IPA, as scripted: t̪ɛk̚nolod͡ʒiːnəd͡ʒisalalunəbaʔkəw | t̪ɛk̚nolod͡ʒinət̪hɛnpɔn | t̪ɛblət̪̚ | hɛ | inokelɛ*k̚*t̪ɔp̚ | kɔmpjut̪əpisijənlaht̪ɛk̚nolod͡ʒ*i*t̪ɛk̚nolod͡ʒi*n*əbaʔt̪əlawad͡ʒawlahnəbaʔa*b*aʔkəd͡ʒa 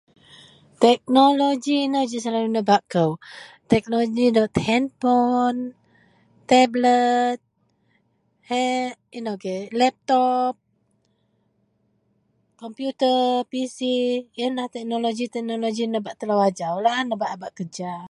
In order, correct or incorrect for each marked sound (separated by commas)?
incorrect, correct, correct, correct